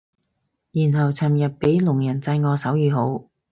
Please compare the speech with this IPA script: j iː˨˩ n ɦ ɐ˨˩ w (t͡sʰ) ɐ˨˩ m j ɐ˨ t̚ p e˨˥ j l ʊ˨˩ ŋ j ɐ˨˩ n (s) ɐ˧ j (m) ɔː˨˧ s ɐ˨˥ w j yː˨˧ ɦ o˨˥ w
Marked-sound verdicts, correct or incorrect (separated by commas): correct, incorrect, incorrect